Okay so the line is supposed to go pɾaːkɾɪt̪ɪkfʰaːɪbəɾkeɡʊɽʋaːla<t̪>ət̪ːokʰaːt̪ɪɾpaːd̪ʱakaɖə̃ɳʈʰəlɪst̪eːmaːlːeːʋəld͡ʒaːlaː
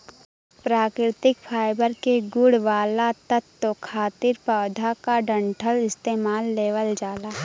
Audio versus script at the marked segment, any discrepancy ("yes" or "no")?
no